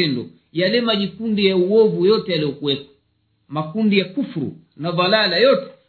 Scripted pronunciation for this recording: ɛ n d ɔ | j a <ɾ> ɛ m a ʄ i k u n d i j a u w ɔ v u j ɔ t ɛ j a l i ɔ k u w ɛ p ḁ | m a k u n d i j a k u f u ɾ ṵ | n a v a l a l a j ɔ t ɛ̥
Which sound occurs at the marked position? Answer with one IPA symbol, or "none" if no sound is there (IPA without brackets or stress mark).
l